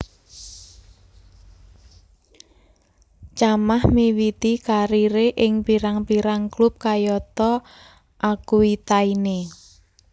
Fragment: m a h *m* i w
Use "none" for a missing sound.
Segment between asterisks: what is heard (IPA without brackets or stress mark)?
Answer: m